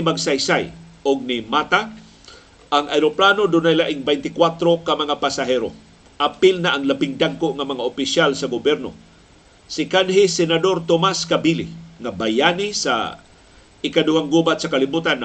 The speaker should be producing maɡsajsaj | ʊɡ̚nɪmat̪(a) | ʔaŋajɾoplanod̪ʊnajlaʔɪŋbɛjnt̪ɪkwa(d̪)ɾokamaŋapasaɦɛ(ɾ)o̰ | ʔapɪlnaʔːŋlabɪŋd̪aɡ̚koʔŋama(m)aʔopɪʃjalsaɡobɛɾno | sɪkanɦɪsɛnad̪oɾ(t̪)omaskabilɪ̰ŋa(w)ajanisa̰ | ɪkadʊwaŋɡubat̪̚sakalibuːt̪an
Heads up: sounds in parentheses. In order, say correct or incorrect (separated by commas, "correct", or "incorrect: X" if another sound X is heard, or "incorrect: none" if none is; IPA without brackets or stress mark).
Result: correct, incorrect: t̪, correct, incorrect: ŋ, correct, incorrect: b